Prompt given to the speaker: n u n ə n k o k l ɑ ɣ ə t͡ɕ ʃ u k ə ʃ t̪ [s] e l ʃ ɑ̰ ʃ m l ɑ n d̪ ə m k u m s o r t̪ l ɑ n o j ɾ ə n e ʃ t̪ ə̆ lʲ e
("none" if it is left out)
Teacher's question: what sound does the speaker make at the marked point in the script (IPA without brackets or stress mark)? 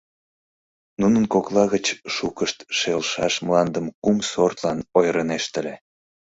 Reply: ʃ